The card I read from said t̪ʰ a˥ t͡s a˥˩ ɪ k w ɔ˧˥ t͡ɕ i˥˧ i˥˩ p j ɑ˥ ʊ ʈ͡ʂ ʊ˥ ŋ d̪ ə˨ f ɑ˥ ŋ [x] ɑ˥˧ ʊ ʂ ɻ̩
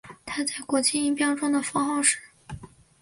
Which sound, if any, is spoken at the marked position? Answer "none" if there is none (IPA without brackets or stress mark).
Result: x